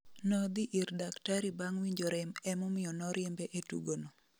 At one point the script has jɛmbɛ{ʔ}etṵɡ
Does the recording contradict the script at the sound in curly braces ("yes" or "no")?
no